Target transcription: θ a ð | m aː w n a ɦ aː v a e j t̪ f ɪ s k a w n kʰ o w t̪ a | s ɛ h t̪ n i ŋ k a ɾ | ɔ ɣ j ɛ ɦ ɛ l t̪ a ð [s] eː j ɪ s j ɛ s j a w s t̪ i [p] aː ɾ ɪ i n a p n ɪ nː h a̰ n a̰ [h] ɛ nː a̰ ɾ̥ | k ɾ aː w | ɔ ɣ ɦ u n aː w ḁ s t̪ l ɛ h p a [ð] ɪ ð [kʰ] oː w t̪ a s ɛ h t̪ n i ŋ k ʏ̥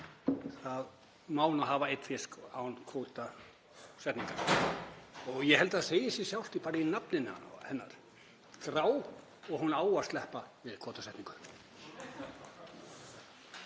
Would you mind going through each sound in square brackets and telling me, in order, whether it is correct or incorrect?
correct, correct, correct, incorrect, correct

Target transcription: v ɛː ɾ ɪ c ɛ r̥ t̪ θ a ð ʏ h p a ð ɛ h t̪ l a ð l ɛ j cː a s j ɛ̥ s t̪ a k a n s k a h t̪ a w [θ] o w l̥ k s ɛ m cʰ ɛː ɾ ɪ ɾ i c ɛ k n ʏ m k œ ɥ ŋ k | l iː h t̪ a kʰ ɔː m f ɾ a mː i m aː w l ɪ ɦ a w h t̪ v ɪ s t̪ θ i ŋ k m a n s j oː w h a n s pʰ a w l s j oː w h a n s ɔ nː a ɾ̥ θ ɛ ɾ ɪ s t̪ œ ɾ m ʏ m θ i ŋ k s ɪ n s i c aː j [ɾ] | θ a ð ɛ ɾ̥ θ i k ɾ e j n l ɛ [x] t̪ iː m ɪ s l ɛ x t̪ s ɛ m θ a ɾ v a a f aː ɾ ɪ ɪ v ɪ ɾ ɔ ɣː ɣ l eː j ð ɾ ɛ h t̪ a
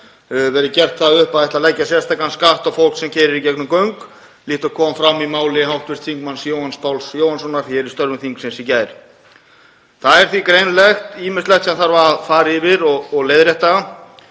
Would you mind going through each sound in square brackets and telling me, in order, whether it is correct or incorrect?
incorrect, correct, correct

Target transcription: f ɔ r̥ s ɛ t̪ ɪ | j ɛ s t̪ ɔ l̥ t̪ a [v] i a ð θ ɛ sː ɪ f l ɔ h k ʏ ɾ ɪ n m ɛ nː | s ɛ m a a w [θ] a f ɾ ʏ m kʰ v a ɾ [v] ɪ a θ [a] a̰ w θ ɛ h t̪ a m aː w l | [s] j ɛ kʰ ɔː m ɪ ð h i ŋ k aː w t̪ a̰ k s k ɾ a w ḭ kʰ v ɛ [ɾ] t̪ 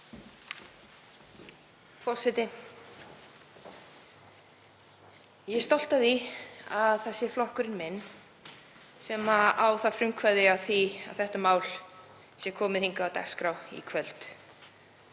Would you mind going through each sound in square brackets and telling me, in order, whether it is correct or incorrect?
incorrect, correct, incorrect, incorrect, correct, incorrect

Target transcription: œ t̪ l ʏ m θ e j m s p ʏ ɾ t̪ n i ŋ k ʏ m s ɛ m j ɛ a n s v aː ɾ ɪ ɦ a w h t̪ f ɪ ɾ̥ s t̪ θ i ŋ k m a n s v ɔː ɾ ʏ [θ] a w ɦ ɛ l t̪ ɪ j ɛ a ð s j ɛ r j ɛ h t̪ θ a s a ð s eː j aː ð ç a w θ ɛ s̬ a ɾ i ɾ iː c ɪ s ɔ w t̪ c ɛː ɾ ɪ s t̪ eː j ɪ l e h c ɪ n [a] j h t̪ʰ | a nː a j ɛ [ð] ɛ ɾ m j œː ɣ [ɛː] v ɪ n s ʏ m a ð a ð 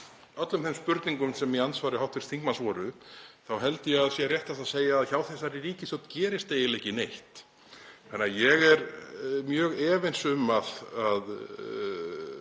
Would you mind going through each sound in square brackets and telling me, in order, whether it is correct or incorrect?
correct, incorrect, incorrect, correct

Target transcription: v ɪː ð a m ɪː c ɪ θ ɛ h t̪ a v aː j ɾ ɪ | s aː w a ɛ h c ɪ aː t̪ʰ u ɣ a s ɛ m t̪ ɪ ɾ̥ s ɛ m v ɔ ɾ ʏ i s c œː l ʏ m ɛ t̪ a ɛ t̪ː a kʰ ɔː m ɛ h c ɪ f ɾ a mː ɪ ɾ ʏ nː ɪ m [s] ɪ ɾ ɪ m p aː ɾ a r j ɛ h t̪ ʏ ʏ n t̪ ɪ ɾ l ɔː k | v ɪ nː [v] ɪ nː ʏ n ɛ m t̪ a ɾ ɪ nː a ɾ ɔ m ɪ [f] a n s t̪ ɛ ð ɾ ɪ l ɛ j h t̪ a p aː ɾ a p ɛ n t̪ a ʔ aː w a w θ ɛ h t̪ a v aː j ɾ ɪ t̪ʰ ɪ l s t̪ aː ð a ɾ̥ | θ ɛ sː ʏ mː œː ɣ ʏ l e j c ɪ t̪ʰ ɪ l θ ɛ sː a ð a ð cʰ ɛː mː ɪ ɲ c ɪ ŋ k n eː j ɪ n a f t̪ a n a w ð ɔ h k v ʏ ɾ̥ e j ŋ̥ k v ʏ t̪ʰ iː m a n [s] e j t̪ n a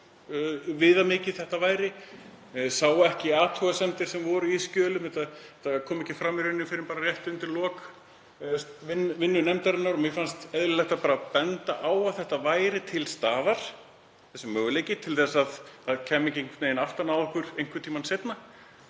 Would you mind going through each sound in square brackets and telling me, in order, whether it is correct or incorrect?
incorrect, correct, correct, correct

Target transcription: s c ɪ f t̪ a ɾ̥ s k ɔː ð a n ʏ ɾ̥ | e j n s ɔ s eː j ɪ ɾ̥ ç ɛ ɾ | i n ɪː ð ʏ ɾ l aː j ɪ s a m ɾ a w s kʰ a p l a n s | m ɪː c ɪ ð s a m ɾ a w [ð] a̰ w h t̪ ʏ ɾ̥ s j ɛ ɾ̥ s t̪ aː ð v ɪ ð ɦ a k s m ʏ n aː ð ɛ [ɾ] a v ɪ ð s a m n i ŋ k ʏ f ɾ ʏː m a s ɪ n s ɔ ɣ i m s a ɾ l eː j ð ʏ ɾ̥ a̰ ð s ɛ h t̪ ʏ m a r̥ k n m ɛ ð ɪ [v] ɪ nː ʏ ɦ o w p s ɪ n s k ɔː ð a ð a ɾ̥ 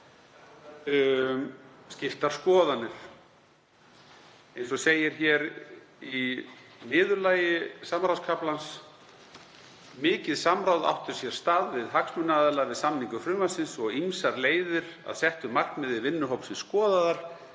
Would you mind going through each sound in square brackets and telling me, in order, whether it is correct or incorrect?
correct, incorrect, correct

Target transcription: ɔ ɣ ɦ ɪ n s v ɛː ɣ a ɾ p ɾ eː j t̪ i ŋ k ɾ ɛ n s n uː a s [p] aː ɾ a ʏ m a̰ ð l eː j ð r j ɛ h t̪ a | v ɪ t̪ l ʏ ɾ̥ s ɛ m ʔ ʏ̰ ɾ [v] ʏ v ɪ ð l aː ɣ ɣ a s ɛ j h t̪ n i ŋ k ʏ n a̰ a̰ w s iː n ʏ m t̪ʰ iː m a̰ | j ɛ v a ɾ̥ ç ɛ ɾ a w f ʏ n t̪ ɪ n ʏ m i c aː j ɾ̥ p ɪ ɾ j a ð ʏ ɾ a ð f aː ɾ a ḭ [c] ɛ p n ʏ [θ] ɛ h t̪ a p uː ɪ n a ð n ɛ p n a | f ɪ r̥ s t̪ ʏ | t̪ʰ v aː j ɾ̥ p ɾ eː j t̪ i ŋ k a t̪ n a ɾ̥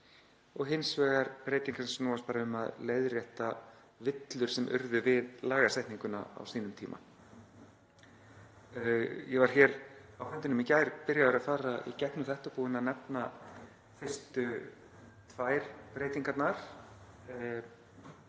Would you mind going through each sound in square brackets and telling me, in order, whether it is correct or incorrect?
correct, incorrect, correct, correct

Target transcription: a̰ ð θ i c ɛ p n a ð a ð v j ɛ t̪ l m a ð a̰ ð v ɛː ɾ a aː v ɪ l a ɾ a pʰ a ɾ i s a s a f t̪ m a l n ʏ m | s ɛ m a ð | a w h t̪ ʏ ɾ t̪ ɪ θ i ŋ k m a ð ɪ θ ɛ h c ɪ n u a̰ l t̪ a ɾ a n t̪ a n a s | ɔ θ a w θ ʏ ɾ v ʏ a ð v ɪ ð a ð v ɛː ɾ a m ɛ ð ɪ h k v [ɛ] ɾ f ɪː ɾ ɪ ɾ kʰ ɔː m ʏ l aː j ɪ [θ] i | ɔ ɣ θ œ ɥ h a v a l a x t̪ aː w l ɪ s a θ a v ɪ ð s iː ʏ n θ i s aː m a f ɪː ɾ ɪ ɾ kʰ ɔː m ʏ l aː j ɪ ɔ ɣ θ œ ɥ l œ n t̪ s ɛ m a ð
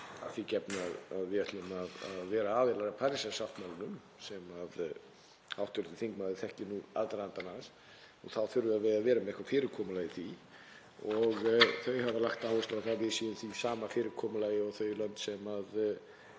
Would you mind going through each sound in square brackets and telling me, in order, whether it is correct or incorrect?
incorrect, correct

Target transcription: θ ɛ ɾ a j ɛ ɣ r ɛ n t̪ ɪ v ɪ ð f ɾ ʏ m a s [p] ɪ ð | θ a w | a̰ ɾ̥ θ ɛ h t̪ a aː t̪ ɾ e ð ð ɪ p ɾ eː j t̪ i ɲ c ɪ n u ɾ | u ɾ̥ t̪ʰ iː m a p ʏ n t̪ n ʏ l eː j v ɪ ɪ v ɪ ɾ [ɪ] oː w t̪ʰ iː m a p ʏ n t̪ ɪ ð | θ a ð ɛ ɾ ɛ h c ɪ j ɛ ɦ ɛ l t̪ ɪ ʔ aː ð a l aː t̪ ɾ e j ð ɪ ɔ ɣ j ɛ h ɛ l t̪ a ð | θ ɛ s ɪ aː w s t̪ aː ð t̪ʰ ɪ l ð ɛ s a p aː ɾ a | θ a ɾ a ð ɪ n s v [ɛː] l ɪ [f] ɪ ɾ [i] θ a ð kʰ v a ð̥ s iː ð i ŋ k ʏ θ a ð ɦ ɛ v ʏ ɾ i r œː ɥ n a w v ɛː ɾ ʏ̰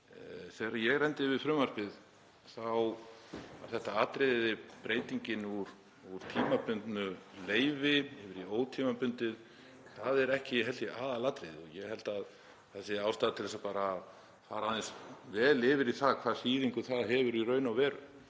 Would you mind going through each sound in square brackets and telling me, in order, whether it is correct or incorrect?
correct, incorrect, correct, incorrect, correct

